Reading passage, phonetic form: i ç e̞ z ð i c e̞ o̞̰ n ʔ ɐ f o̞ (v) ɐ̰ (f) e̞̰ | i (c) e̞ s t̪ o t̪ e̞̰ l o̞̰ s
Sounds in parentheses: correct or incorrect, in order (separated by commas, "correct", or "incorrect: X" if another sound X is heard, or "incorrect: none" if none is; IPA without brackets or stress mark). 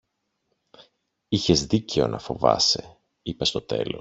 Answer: correct, incorrect: s, incorrect: p